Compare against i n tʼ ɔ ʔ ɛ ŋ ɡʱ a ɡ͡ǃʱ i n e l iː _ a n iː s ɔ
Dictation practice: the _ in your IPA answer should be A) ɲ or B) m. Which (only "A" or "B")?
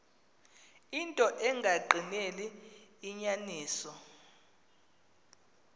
A